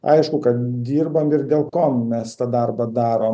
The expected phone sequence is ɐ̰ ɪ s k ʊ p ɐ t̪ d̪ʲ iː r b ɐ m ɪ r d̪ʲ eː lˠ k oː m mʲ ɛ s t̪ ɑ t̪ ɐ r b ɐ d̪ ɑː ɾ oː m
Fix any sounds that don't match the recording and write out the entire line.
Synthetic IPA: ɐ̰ ɪ ʃ k ʊ k ɐ t̪ d̪ʲ iː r b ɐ m ɪ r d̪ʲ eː lˠ k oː m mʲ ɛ s t̪ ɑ d̪ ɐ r b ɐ d̪ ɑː ɾ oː m